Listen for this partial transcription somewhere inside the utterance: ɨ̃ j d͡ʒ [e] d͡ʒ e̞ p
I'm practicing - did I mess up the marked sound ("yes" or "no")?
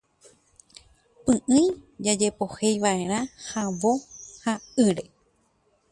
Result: yes